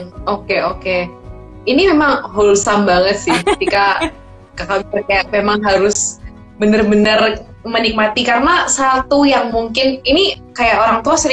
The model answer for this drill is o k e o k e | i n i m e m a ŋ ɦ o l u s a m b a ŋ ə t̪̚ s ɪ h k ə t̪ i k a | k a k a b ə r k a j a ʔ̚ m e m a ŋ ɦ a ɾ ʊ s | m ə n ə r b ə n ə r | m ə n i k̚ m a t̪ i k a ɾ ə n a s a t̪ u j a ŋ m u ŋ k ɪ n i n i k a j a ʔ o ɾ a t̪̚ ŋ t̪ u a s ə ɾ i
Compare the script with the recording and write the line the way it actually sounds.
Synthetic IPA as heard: o k e o k e | i n i m e m a ŋ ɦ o l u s a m b a ŋ ə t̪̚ s ɪ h k ə t̪ i k a | k a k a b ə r k a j a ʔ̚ m e m a ŋ ɦ a ɾ ʊ s | b ə n ə r b ə n ə r | m ə n i k̚ m a t̪ i k a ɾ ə n a s a t̪ u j a ŋ m u ŋ k ɪ n i n i k a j a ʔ o ɾ a ŋ t̪ u a s ə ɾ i